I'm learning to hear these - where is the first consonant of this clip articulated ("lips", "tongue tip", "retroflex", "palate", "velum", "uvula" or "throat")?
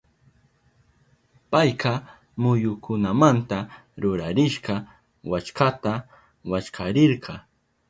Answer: lips